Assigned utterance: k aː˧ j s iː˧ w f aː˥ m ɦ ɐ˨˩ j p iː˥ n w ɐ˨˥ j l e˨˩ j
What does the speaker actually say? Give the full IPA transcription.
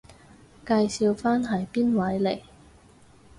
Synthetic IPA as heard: k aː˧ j s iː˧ w f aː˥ n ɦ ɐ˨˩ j p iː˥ n w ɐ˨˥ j l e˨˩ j

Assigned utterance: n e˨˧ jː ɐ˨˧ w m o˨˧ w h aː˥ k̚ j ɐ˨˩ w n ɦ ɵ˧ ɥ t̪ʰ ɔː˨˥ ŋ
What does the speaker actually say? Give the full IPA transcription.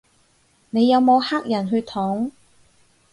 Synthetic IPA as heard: n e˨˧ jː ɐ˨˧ w m o˨˧ w h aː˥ k̚ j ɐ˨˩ n ɦ ɵ˧ ɥ t̪ʰ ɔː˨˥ ŋ

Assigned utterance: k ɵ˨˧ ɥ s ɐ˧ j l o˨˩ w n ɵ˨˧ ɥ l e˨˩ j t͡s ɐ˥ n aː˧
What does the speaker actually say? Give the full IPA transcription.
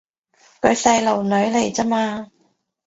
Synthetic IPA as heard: k ɵ˨˧ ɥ s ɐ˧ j l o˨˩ w n ɵ˨˧ ɥ l e˨˩ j t͡s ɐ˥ m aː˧

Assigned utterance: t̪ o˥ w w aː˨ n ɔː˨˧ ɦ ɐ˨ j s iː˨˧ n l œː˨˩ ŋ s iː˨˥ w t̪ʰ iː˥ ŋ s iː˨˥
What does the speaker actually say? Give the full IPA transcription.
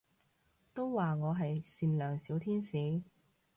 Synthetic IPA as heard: t̪ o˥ w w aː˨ ŋ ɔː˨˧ ɦ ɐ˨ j s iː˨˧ n l œː˨˩ ŋ s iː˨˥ w t̪ʰ iː˥ n s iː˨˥

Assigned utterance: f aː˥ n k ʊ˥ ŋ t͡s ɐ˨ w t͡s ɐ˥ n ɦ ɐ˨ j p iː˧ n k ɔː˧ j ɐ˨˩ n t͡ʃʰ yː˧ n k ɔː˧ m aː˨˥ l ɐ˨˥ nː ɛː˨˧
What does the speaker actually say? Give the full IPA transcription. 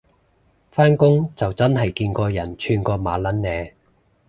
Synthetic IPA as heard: f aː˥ n k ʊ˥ ŋ t͡s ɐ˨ w t͡s ɐ˥ n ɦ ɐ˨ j k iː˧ n k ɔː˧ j ɐ˨˩ n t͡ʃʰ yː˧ n k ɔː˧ m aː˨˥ l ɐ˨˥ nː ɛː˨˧

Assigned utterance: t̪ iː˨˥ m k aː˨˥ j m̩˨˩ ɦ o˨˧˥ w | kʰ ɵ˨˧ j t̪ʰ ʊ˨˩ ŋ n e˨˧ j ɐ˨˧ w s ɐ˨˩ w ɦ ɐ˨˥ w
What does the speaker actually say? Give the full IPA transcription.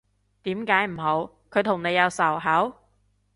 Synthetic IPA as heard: t̪ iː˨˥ m k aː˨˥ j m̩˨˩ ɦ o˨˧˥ w | kʰ ɵ˨˧ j t̪ʰ ʊ˨˩ ŋ n e˨˧ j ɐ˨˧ w s ɐ˨˩ w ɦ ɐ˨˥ w

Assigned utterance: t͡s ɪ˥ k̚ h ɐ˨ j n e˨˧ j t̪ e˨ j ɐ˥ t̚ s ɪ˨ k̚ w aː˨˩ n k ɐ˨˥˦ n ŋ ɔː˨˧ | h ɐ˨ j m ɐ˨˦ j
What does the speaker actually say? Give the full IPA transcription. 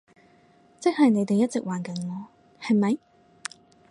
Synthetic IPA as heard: t͡s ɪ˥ k̚ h ɐ˨ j n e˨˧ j t̪ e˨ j ɐ˥ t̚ t͡s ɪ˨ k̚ w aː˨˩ n k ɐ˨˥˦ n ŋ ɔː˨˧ | h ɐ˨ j m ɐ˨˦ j

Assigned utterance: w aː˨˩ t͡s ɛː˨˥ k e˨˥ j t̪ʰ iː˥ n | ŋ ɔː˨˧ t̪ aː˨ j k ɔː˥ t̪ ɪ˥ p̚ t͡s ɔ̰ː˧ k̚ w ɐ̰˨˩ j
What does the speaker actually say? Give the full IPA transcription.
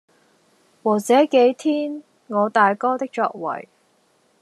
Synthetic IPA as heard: w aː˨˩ t͡s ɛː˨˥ k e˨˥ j t̪ʰ iː˥ n | ŋ ɔː˨˧ t̪ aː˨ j k ɔː˥ t̪ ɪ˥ k̚ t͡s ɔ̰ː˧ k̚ w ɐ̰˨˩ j

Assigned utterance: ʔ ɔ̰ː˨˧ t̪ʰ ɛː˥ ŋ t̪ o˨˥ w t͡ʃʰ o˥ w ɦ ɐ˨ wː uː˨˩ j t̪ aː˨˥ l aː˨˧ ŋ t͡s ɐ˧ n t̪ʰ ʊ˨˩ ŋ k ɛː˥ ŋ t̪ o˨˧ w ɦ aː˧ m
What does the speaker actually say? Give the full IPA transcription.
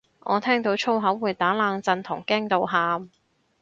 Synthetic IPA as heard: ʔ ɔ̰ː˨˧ t̪ʰ ɛː˥ ŋ t̪ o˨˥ w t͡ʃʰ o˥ w ɦ ɐ˨˥ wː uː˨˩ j t̪ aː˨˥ l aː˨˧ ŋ t͡s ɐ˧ n t̪ʰ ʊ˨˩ ŋ k ɛː˥ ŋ t̪ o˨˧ w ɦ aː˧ m

